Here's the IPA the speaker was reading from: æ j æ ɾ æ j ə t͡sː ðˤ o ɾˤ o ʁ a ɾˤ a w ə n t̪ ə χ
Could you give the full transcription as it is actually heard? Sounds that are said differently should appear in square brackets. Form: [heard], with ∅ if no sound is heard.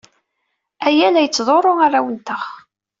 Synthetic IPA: æ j æ [l] æ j ə t͡sː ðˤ o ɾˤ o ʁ a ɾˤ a w ə n t̪ ə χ